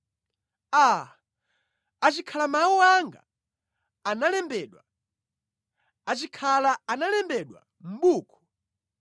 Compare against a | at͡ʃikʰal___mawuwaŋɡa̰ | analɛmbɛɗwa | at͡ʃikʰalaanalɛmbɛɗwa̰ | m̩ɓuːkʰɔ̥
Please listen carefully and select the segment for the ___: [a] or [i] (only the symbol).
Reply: a